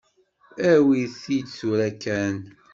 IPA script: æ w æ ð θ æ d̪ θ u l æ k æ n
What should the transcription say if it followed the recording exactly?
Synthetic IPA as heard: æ w i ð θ i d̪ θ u ɾ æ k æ n